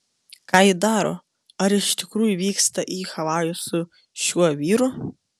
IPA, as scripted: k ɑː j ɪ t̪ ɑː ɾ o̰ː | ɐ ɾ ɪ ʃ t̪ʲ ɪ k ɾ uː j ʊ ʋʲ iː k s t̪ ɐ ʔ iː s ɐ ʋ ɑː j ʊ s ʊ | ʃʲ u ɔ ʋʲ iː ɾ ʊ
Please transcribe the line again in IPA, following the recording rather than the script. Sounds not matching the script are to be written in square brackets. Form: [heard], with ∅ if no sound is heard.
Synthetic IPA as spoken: k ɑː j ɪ [d̪] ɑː ɾ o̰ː | ɐ ɾ ɪ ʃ t̪ʲ ɪ k ɾ uː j ʊ ʋʲ iː k s t̪ ɐ ʔ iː [x] ɐ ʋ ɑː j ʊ s ʊ | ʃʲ u ɔ ʋʲ iː ɾ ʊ

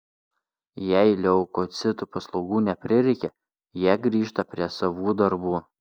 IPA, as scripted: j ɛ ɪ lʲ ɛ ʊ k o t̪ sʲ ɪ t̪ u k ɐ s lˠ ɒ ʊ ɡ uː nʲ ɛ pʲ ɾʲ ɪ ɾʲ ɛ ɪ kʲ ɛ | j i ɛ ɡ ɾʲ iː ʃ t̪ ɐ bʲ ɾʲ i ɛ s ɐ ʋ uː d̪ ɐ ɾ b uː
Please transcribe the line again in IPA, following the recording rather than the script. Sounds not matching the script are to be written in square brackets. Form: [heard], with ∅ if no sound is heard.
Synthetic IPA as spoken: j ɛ ɪ lʲ ɛ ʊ k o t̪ sʲ ɪ t̪ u [p] ɐ s lˠ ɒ ʊ ɡ uː nʲ ɛ pʲ ɾʲ ɪ ɾʲ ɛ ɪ kʲ ɛ | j i ɛ ɡ ɾʲ iː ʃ t̪ ɐ [pʲ] ɾʲ i ɛ s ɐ ʋ uː d̪ ɐ ɾ b uː

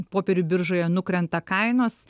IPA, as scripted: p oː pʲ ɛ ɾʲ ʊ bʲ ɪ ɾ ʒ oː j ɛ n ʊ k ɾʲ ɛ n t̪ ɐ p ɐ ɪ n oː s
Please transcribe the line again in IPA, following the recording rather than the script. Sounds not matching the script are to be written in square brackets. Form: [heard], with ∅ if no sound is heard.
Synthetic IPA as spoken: p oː pʲ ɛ ɾʲ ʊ bʲ ɪ ɾ ʒ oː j ɛ n ʊ k ɾʲ ɛ n t̪ ɐ [k] ɐ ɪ n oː s

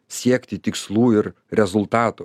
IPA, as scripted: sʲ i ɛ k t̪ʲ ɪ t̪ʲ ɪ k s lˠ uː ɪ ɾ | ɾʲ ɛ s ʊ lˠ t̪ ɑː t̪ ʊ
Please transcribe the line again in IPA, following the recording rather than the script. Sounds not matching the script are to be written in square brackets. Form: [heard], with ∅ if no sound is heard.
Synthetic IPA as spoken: sʲ i ɛ k t̪ʲ ɪ t̪ʲ ɪ k s lˠ uː ɪ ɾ | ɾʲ ɛ [z] ʊ lˠ t̪ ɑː t̪ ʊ

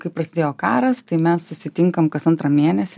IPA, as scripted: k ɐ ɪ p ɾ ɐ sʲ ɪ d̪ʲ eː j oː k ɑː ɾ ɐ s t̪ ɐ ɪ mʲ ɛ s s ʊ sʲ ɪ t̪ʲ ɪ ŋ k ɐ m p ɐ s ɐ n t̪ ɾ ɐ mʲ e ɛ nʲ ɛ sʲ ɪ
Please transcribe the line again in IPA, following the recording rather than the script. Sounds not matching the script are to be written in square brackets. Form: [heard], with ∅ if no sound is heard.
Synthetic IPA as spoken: k ɐ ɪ p ɾ ɐ sʲ ɪ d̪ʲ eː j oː k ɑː ɾ ɐ s t̪ ɐ ɪ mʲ ɛ s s ʊ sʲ ɪ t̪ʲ ɪ ŋ k ɐ m [k] ɐ s ɐ n t̪ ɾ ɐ mʲ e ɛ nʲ ɛ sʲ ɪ

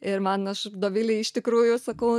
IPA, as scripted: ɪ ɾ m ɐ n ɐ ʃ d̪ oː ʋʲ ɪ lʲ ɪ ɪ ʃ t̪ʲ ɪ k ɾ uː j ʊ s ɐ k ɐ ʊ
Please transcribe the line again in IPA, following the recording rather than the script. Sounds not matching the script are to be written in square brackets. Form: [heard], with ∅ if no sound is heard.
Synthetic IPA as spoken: ɪ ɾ m ɐ n ɐ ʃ d̪ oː ʋʲ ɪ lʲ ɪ ɪ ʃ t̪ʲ ɪ k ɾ uː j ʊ s ɐ k ɐ ʊ

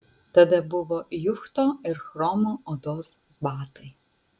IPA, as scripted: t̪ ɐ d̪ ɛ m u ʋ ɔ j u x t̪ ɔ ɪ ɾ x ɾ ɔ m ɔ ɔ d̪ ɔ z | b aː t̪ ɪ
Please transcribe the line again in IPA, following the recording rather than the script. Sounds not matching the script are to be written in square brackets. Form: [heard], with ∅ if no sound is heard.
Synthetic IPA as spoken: t̪ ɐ d̪ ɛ [b] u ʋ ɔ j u x t̪ ɔ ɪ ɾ x ɾ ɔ m ɔ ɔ d̪ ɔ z | b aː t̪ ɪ

